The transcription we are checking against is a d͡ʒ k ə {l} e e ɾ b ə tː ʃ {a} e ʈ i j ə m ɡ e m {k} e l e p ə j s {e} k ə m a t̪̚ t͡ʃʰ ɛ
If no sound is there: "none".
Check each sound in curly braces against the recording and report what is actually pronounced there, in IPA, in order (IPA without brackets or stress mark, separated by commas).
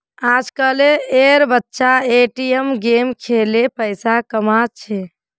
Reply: l, a, kʰ, a